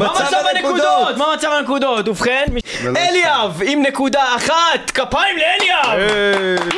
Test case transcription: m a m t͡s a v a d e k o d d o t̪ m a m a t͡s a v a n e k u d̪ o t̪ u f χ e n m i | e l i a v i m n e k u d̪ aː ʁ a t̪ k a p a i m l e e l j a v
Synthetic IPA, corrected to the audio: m a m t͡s a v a n e k u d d o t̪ m a m a t͡s a v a n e k u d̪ o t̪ u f χ e n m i | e l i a v i m n e k u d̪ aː χ a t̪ k a p a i m l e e l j a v